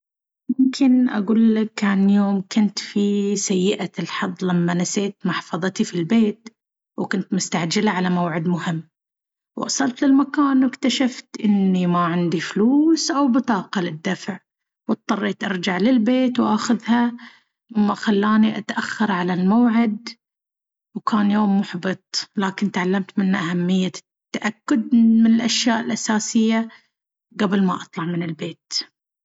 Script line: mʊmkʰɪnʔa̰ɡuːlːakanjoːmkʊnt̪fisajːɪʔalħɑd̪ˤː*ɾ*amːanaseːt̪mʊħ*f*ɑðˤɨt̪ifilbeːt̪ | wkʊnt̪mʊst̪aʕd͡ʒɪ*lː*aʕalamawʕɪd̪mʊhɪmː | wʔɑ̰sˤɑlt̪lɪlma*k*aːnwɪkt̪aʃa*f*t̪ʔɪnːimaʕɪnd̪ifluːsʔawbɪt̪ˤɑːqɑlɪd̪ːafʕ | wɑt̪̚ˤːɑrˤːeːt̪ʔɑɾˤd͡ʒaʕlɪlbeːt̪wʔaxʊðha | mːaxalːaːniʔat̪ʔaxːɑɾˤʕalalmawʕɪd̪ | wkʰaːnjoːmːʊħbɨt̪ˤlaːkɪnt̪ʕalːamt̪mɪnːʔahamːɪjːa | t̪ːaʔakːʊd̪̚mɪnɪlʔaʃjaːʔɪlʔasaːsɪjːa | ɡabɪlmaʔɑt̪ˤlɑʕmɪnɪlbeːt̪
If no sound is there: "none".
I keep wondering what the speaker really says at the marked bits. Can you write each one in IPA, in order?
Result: l, f, l, k, f

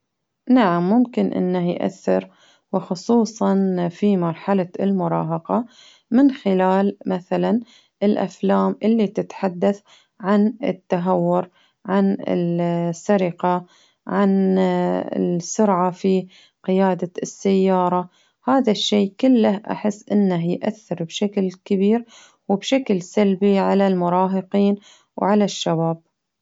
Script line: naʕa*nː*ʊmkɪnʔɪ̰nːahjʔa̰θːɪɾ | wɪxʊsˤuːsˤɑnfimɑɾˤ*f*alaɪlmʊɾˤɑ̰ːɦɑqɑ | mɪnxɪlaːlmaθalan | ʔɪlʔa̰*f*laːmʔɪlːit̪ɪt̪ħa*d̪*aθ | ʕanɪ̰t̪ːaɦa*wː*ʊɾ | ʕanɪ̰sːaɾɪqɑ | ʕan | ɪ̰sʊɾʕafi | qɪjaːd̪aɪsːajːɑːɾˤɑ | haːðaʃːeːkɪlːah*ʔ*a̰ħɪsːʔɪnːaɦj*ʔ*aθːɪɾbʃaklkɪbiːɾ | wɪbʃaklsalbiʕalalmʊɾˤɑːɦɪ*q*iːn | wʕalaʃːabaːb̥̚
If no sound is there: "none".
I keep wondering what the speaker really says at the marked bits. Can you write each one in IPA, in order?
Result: mː, ħ, f, d̪ː, wː, ʔ, ʔ, q

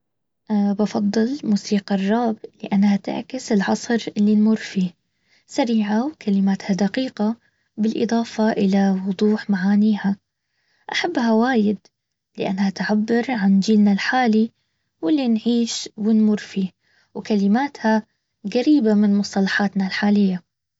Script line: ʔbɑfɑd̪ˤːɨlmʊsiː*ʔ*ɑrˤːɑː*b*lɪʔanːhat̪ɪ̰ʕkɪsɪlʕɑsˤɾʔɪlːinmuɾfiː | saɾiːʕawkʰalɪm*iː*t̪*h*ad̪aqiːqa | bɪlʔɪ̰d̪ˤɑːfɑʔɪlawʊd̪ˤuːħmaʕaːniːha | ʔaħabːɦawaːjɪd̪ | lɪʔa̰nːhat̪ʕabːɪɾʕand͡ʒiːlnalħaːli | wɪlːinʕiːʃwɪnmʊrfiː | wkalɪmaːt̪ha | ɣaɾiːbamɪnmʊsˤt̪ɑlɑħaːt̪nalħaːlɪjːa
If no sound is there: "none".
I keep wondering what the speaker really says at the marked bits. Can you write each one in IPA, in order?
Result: q, b, aː, h

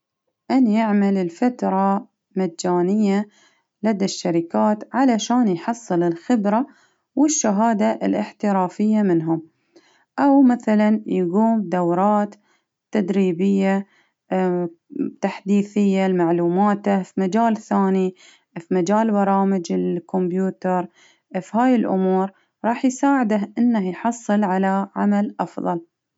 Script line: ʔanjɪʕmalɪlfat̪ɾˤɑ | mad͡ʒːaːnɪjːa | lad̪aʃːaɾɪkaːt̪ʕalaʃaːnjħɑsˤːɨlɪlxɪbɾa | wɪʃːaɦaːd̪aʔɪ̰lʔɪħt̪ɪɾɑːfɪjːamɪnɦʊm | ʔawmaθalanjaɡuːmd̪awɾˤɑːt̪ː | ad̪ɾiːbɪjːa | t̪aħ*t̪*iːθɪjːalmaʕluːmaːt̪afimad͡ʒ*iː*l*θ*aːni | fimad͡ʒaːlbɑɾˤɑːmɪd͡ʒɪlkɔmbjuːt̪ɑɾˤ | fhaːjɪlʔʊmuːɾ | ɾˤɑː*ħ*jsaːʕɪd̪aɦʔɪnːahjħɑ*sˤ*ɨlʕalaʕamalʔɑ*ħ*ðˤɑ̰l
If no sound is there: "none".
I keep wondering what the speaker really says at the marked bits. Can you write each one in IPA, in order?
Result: d̪, aː, θ, ħ, sˤː, f

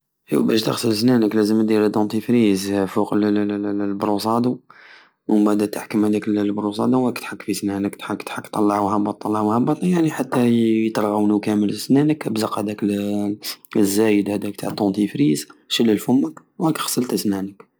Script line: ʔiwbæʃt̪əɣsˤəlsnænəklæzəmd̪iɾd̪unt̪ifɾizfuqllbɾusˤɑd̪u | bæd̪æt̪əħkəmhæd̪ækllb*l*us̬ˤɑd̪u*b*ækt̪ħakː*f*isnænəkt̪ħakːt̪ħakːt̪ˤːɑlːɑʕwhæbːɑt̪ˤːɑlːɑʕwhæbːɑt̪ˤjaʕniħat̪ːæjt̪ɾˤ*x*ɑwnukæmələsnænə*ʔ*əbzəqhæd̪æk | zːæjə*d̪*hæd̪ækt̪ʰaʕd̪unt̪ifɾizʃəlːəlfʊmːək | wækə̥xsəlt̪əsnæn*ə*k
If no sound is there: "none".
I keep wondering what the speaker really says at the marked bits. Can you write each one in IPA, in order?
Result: ɾ, w, f, ɣ, k, d̪, ə

